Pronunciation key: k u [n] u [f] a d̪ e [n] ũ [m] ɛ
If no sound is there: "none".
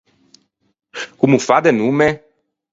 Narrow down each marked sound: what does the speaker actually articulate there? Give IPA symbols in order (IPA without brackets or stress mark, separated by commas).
m, f, n, m